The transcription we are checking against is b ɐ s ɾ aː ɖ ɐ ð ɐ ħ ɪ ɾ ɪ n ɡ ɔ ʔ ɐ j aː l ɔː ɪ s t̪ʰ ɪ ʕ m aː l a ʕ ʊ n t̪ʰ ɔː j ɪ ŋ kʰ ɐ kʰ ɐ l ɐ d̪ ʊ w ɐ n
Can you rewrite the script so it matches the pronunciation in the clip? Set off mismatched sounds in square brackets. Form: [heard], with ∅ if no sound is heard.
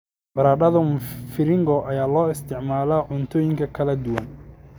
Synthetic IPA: b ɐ [∅] ɾ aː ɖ ɐ ð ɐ [f] ɪ ɾ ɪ [ŋ] ɡ ɔ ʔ ɐ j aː l ɔː ɪ s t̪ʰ ɪ ʕ m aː l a ʕ ʊ n t̪ʰ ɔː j ɪ ŋ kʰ ɐ kʰ ɐ l ɐ d̪ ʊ w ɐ n